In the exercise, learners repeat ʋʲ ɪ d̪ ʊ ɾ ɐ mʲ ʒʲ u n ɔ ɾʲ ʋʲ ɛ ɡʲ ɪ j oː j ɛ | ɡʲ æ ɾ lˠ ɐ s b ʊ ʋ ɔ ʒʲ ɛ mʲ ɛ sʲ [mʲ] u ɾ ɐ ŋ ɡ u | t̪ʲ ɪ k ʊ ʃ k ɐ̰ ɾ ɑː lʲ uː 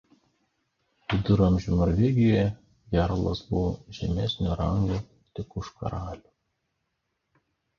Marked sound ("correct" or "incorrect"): incorrect